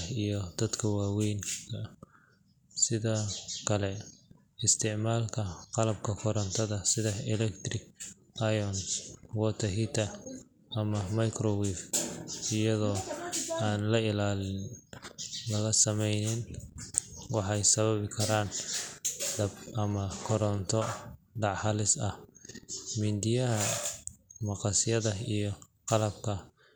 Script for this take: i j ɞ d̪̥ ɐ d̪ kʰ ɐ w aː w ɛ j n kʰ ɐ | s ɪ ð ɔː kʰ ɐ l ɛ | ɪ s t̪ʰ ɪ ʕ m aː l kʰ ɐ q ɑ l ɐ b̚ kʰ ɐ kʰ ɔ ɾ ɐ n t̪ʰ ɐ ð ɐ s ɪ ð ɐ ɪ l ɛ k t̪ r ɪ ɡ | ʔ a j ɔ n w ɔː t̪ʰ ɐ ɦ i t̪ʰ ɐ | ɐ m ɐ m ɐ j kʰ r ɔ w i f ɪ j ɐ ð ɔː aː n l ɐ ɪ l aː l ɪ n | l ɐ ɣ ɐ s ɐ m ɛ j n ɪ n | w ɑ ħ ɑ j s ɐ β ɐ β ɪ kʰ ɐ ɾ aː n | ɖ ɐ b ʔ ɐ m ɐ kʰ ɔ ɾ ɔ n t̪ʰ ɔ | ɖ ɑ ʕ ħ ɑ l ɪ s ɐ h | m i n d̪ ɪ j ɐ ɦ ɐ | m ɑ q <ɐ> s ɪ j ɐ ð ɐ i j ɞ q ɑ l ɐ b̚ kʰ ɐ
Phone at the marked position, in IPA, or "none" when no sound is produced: ɑ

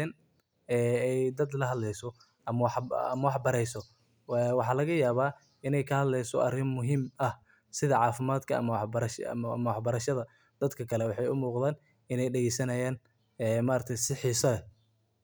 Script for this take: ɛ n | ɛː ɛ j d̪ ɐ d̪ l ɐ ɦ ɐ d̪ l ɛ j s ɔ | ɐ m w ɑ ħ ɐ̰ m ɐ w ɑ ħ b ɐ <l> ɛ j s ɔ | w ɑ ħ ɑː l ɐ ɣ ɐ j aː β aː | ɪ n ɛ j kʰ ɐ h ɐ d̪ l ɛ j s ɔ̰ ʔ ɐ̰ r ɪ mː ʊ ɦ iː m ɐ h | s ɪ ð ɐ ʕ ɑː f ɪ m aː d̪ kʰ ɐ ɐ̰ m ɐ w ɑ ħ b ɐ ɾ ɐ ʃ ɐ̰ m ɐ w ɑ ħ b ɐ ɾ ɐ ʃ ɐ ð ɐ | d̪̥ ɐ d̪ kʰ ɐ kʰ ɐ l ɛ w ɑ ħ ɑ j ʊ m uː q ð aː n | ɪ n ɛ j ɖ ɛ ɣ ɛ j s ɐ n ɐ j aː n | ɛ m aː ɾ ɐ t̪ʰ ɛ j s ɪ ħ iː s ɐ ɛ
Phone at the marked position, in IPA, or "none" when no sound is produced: ɾ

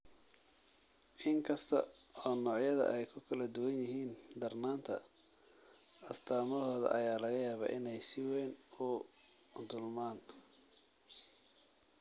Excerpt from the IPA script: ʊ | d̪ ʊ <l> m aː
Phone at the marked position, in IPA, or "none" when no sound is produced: l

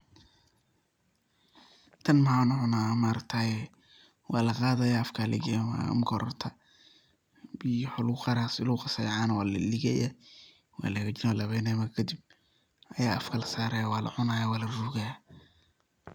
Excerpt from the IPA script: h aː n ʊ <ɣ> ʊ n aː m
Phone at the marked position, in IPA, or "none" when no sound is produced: ʕ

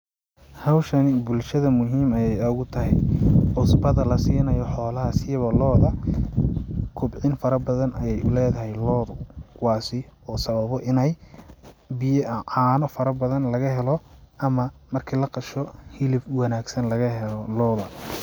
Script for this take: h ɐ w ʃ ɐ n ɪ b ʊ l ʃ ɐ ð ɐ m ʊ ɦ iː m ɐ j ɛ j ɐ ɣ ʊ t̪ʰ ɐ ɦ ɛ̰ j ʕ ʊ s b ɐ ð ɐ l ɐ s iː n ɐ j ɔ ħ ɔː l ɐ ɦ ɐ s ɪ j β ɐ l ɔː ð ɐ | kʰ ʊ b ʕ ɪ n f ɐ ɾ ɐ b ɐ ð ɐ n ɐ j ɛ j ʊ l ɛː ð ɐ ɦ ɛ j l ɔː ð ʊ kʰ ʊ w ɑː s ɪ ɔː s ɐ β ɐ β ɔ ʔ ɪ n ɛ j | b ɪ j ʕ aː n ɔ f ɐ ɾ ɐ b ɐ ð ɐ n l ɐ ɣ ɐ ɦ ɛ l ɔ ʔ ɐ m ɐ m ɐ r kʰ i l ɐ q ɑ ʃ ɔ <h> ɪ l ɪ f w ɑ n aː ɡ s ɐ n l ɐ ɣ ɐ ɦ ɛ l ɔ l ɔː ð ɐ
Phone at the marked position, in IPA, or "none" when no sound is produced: h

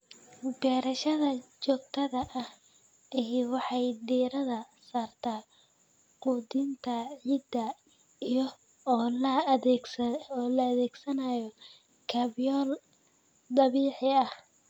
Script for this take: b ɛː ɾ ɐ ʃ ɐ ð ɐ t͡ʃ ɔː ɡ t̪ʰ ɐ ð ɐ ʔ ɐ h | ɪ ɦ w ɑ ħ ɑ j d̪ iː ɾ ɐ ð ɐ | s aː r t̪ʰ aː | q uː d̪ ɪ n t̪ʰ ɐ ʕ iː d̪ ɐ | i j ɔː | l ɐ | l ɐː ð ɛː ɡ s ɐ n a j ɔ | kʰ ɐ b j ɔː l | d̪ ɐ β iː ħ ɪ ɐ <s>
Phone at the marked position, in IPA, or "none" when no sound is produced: h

